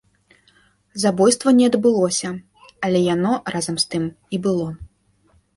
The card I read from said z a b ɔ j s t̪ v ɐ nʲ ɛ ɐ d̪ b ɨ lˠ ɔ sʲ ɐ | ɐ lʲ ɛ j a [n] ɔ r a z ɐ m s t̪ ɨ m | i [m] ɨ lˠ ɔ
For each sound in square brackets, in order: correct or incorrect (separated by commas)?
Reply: correct, incorrect